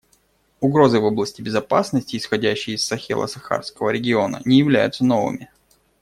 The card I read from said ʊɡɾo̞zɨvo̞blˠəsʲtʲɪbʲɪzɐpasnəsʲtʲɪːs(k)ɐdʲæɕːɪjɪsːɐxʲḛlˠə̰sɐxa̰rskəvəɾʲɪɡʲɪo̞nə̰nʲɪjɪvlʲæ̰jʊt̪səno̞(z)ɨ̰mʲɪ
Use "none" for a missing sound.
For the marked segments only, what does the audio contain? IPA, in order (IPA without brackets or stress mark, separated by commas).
x, v